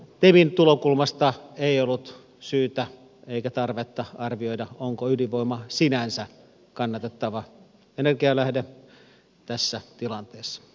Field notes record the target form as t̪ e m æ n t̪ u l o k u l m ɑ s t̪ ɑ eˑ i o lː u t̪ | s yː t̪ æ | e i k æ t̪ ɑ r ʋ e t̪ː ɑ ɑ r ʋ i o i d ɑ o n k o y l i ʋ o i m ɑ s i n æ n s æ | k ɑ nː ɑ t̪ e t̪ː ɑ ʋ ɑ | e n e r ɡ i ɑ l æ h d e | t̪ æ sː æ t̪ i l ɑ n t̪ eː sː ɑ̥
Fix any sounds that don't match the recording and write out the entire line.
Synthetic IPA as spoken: t̪ e m i n t̪ u l o k u l m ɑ s t̪ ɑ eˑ i o lː u t̪ | s yː t̪ æ | e i k æ t̪ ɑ r ʋ e t̪ː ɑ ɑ r ʋ i o i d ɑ o ŋ k o y l i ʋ o i m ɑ s i n æ n s æ | k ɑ nː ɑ t̪ e t̪ː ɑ ʋ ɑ | e n e r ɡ i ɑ l æ h d e | t̪ æ sː æ t̪ i l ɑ n t̪ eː sː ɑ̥

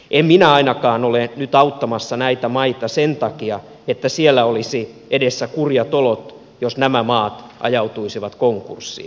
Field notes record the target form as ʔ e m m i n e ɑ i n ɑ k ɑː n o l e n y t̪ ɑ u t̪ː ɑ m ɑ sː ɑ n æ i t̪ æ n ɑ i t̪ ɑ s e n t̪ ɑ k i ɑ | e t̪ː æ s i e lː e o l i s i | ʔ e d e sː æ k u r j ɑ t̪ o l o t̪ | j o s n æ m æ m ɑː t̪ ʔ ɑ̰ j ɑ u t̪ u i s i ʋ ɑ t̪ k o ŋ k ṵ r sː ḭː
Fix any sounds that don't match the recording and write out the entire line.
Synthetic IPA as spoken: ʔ e m m i n æ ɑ i n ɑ k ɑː n o l e n y t̪ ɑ u t̪ː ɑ m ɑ sː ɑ n æ i t̪ æ m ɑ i t̪ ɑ s e n t̪ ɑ k i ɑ | e t̪ː æ s i e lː æ o l i s i | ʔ e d e sː æ k u r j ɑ t̪ o l o t̪ | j o s n æ m æ m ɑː t̪ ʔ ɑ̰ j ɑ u t̪ u i s i ʋ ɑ t̪ k o ŋ k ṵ r sː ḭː

